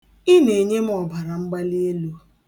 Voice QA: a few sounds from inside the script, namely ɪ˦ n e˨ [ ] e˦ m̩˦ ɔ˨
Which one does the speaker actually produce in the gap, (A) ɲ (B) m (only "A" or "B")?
A